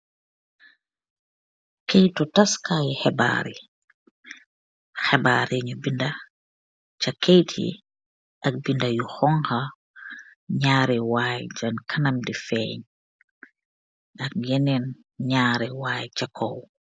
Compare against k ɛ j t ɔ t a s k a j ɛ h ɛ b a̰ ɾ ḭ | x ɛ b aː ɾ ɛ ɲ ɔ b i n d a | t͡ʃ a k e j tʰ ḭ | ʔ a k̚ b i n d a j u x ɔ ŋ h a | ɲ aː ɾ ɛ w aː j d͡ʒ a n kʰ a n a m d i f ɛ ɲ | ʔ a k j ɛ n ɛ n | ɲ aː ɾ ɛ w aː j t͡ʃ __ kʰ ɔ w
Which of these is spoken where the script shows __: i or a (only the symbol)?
a